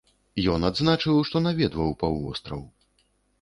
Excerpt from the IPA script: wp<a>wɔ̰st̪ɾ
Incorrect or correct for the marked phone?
correct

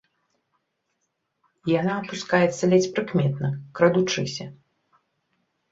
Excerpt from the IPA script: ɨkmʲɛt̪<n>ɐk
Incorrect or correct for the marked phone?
correct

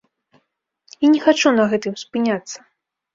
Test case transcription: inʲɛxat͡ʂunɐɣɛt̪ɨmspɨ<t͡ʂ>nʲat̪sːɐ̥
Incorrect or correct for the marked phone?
incorrect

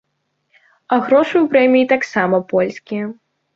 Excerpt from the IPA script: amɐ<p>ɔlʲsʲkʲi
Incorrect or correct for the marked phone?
correct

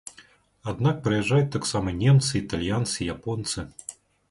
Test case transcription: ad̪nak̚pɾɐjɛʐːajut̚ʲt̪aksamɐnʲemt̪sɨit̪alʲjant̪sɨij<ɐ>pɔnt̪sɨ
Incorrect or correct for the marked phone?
incorrect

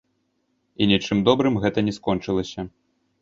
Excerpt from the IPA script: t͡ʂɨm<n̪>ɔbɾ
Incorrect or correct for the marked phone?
incorrect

